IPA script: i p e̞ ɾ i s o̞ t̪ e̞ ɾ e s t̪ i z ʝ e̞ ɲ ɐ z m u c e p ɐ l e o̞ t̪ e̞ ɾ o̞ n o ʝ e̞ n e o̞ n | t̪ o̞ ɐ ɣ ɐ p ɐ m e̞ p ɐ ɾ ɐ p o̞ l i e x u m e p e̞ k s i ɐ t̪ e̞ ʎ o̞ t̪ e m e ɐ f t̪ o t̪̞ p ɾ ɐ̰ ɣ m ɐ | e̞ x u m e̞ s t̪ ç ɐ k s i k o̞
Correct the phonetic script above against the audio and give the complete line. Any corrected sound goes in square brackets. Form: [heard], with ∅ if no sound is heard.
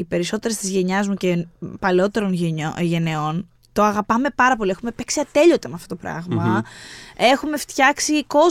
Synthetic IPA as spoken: i p e̞ ɾ i s o̞ t̪ e̞ ɾ e s t̪ i z ʝ e̞ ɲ ɐ z m u c e p ɐ l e o̞ t̪ e̞ ɾ o̞ n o ʝ e̞ n e o̞ n | t̪ o̞ ɐ ɣ ɐ p ɐ m e̞ p ɐ ɾ ɐ p o̞ l i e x u m e p e̞ k s i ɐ t̪ e̞ ʎ o̞ t̪ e m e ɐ f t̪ o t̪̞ p ɾ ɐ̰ ɣ m ɐ | e̞ x u m e̞ [f] t̪ ç ɐ k s i k o̞